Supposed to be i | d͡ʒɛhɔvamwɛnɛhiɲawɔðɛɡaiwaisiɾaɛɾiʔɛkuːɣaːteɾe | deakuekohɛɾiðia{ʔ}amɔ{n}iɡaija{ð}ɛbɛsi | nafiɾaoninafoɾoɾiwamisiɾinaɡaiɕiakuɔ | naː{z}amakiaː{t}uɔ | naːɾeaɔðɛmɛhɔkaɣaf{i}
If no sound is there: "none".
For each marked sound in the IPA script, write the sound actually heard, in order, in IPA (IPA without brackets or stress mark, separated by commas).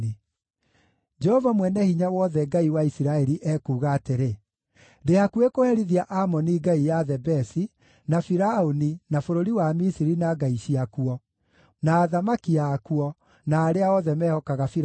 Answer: ʔ, n, ð, ð, k, i